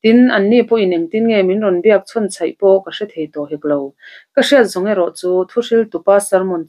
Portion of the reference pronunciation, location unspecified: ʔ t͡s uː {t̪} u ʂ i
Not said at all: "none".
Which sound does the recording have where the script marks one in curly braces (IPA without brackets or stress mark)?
t̪ʰ